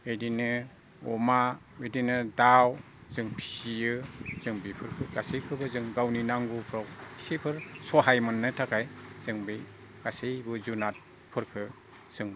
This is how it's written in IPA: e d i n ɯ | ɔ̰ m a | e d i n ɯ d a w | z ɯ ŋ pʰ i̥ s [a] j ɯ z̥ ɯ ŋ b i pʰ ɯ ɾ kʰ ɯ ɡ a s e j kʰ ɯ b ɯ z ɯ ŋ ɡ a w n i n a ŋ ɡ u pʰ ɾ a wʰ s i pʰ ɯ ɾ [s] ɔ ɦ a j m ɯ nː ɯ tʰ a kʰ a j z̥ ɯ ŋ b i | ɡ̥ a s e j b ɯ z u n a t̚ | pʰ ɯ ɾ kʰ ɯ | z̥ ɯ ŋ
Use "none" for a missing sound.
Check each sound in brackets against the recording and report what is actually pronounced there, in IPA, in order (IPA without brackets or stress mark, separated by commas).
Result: i, s